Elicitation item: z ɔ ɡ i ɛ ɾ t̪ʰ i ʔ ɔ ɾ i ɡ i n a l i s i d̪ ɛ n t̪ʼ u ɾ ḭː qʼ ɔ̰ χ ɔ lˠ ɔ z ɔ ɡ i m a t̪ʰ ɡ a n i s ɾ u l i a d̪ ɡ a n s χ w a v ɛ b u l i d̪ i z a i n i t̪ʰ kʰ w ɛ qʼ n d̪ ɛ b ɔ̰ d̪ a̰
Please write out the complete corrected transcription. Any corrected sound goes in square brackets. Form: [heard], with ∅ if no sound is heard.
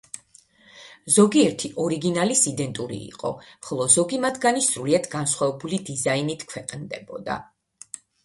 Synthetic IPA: z ɔ ɡ i ɛ ɾ t̪ʰ i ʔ ɔ ɾ i ɡ i n a l i s i d̪ ɛ n t̪ʼ u ɾ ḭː qʼ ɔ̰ χ ɔ lˠ ɔ z ɔ ɡ i m a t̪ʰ ɡ a n i s ɾ u l i a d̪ ɡ a n s χ w a v ɛ b u l i d̪ i z a i n i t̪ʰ kʰ w ɛ qʼ n d̪ ɛ b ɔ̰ d̪ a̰

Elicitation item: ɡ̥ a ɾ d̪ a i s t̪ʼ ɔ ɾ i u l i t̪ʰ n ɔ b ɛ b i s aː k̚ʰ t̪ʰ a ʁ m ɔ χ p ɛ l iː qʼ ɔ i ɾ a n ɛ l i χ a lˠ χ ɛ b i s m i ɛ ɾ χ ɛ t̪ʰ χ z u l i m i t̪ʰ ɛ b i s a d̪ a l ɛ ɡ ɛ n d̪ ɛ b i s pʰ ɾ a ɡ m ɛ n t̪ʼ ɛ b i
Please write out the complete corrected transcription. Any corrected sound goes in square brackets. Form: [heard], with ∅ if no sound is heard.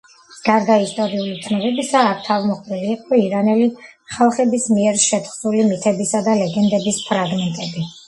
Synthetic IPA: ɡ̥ a ɾ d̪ a i s t̪ʼ ɔ ɾ i u l i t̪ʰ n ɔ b ɛ b i s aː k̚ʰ t̪ʰ a [v] m ɔ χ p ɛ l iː qʼ ɔ i ɾ a n ɛ l i χ a lˠ χ ɛ b i s m i ɛ ɾ [ʃ] ɛ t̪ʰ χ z u l i m i t̪ʰ ɛ b i s a d̪ a l ɛ ɡ ɛ n d̪ ɛ b i s pʰ ɾ a ɡ m ɛ n t̪ʼ ɛ b i

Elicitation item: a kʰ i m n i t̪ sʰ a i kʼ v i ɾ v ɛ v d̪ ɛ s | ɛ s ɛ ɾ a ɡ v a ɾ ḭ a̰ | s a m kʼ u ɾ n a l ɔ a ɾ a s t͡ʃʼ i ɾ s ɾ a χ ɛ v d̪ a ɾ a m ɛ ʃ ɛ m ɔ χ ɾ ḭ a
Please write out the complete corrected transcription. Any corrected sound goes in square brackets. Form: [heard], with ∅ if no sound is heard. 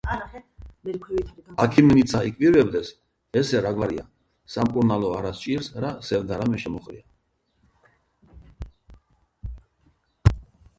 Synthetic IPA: a kʰ i m n i t̪ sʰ a i kʼ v i ɾ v ɛ [b] d̪ ɛ s | ɛ s ɛ ɾ a ɡ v a ɾ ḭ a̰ | s a m kʼ u ɾ n a l ɔ a ɾ a s t͡ʃʼ i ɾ s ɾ a [s] ɛ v d̪ a ɾ a m ɛ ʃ ɛ m ɔ χ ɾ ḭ a

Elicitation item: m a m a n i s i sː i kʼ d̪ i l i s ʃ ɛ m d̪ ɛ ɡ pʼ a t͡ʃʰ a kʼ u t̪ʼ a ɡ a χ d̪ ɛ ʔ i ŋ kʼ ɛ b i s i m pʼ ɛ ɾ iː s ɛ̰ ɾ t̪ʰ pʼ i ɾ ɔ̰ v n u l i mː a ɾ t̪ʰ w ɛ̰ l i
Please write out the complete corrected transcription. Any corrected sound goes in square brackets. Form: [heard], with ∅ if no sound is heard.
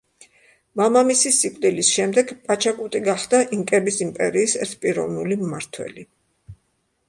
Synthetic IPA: m a m a [m] i s i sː i kʼ d̪ i l i s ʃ ɛ m d̪ ɛ ɡ pʼ a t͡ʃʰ a kʼ u t̪ʼ [i] ɡ a χ d̪ [a] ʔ i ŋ kʼ ɛ b i s i m pʼ ɛ ɾ iː s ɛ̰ ɾ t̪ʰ pʼ i ɾ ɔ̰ v n u l i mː a ɾ t̪ʰ w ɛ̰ l i

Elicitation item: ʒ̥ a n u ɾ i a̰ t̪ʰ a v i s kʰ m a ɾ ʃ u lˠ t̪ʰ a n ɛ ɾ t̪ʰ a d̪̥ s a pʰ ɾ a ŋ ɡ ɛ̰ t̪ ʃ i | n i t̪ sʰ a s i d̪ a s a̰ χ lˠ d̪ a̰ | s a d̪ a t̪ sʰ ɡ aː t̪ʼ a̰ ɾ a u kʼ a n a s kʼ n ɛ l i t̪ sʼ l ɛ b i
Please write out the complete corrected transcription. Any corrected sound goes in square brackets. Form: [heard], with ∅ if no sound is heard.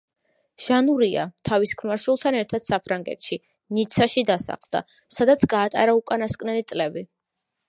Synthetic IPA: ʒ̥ a n u ɾ i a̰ t̪ʰ a v i s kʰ m a ɾ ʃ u lˠ t̪ʰ a n ɛ ɾ t̪ʰ a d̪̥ s a pʰ ɾ a ŋ ɡ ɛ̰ t̪ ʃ i | n i t̪ sʰ a [ʃ] i d̪ a s a̰ χ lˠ d̪ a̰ | s a d̪ a t̪ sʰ ɡ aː t̪ʼ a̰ ɾ a u kʼ a n a s kʼ n ɛ l i t̪ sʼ l ɛ b i

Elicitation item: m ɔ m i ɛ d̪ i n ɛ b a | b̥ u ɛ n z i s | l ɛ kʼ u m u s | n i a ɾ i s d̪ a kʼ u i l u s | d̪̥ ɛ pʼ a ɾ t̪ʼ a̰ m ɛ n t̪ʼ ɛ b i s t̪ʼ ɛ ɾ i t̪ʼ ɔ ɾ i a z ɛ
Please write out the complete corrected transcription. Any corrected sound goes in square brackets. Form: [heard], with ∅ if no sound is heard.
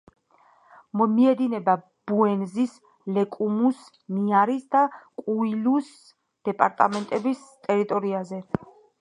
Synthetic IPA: m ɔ m i ɛ d̪ i n ɛ b a | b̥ u ɛ n z i s | l ɛ kʼ u m u s | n i a ɾ i s d̪ a kʼ u i l u s | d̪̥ ɛ pʼ a ɾ t̪ʼ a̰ m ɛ n t̪ʼ ɛ b i s t̪ʼ ɛ ɾ i t̪ʼ ɔ ɾ i a z ɛ

